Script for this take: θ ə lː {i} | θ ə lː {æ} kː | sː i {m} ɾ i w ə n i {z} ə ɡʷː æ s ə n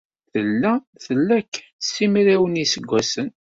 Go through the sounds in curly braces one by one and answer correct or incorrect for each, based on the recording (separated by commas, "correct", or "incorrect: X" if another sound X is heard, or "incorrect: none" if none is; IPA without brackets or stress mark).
incorrect: æ, correct, correct, incorrect: s